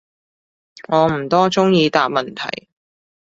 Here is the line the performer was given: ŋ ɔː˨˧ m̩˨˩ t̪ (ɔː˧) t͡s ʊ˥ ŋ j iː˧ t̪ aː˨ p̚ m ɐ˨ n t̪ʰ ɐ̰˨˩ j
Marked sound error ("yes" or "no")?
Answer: yes